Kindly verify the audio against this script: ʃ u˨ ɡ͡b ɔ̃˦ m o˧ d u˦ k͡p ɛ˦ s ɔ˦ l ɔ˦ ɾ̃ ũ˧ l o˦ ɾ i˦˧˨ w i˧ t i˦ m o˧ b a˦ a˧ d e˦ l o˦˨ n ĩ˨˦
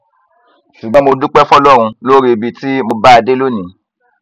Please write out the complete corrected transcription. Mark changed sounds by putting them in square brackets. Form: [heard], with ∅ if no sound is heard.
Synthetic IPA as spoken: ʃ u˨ ɡ͡b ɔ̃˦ m o˧ d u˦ k͡p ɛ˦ [f] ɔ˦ l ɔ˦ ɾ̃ ũ˧ l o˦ ɾ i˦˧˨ [b] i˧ t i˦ m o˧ b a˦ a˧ d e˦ l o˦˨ n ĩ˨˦